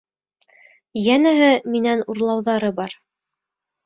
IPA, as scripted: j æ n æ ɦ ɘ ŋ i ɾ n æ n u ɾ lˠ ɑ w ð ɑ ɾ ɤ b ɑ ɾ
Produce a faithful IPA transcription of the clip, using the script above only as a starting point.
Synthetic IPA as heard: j æ n æ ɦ ɘ m i n æ n u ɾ lˠ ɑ w ð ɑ ɾ ɤ b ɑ ɾ